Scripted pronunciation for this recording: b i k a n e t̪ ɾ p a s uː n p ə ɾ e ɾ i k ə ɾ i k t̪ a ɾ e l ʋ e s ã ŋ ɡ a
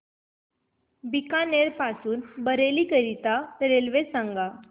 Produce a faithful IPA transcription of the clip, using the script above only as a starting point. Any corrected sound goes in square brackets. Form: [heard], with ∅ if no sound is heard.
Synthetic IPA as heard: b i k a n e [∅] ɾ p a s uː n [b] ə ɾ e [l] i k ə ɾ i [∅] t̪ a ɾ e l ʋ e s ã ŋ ɡ a